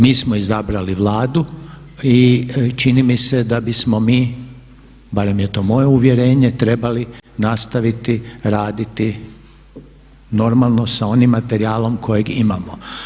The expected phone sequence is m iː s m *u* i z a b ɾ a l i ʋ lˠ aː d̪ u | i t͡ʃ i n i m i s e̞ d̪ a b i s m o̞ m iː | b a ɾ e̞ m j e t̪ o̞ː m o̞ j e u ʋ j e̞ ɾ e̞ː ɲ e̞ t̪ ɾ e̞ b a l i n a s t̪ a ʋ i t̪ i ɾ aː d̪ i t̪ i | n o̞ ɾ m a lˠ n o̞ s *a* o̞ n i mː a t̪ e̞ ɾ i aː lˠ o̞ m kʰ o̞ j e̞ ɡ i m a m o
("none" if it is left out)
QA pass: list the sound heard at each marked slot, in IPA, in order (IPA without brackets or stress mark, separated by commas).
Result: o, a